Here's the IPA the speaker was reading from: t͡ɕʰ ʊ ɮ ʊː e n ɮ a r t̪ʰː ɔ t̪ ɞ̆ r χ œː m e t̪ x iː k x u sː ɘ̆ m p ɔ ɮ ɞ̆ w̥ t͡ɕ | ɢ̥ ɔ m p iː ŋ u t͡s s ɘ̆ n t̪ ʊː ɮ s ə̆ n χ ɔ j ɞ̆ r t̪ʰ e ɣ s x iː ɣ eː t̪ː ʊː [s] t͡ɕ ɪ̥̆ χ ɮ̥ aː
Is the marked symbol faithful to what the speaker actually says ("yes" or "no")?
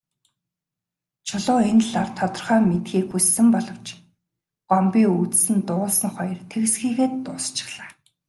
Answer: yes